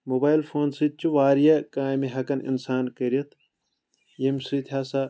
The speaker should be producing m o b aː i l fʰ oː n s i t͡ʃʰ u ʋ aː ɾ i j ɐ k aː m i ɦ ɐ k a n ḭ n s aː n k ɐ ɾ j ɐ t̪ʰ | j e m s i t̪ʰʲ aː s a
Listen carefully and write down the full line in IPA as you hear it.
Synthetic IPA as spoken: m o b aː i l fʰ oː n s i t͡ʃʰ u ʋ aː ɾ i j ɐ k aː m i ɦ ɐ k ɐ n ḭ n s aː n k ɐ ɾ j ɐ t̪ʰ | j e m s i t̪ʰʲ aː s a